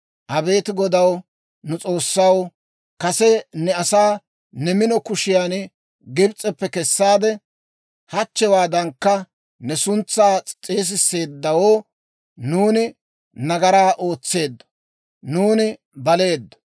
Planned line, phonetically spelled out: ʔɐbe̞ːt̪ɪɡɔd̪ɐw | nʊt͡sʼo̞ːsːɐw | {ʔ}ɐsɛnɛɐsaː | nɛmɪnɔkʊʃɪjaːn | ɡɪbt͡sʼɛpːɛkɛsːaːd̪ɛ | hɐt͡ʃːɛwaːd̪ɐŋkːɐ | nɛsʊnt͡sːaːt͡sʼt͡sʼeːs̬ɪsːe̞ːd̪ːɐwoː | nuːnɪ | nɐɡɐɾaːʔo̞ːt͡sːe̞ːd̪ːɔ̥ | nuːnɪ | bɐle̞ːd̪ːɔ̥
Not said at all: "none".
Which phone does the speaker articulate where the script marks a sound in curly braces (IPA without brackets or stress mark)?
k